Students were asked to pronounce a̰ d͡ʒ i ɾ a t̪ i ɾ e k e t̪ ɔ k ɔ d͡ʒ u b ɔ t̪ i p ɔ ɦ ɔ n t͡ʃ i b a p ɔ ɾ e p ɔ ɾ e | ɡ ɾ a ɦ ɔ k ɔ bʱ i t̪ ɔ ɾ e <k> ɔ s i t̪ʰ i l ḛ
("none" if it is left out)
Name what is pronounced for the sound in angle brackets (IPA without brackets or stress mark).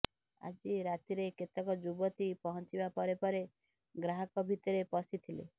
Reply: p